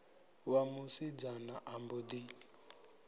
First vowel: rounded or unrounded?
unrounded